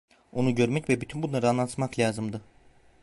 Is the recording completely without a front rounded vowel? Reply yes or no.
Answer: no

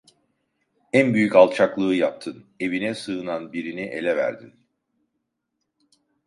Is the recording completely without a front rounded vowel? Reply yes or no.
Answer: no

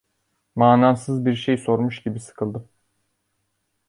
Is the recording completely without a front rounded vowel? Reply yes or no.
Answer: yes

